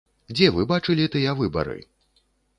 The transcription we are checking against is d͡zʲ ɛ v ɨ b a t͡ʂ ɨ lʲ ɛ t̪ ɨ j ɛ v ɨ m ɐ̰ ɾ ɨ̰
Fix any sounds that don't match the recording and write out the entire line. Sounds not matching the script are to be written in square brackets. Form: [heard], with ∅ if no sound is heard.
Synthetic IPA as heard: d͡zʲ ɛ v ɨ b a t͡ʂ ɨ lʲ [i] t̪ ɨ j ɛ v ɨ [b] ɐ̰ ɾ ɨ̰